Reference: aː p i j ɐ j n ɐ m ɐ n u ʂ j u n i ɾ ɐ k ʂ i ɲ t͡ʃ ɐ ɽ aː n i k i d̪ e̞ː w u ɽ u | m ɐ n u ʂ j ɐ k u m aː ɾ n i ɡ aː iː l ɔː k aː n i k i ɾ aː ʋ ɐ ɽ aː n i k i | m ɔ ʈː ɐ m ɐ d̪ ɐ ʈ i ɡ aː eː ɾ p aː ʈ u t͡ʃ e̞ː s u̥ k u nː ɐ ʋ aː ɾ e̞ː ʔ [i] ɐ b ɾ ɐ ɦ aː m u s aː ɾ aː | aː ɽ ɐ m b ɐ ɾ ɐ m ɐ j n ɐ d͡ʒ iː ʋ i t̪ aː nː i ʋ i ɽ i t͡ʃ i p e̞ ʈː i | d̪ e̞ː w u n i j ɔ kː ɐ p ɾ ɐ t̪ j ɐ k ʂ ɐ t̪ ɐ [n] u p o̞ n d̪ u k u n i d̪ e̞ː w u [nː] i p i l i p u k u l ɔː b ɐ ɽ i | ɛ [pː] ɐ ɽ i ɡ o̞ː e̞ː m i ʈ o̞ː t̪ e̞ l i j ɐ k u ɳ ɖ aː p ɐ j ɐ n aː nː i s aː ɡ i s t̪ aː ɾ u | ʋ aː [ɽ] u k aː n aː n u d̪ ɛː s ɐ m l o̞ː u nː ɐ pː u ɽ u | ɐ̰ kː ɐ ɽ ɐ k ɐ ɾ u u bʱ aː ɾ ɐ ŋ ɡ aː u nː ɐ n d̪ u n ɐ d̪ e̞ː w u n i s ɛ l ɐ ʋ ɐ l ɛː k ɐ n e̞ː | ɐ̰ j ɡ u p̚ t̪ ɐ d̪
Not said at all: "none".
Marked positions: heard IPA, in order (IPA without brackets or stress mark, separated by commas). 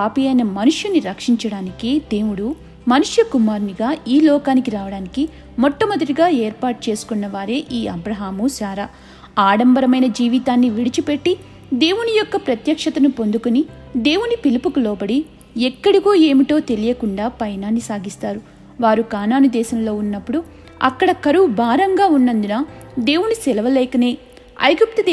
iː, n, n, kː, ɾ